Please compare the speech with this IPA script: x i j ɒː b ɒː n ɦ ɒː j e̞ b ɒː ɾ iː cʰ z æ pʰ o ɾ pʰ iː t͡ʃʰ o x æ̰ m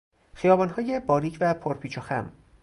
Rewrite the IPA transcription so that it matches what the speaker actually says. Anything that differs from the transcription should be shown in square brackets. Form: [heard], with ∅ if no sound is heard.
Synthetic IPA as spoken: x i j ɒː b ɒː n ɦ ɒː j e̞ b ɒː ɾ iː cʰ [v] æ pʰ o ɾ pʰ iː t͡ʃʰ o x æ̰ m